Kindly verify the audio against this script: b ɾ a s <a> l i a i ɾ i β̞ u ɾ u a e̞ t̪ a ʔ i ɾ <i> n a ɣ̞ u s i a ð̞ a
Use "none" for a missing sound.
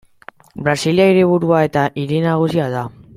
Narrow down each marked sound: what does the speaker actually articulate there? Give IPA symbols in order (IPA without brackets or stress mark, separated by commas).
i, i